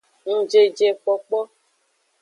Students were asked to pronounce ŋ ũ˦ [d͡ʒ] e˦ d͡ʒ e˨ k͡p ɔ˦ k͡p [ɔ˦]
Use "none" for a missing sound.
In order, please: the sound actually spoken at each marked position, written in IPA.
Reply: d͡ʒ, ɔ˦

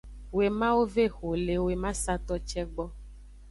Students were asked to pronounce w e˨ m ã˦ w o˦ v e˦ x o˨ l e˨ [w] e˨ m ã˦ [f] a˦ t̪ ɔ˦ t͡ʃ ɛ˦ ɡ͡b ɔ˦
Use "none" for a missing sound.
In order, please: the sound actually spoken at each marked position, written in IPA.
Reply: w, s

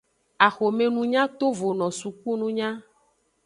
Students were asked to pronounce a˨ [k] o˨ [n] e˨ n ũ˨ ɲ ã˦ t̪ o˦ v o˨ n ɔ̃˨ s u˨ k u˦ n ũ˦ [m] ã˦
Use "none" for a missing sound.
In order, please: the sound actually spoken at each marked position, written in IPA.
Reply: x, m, ɲ

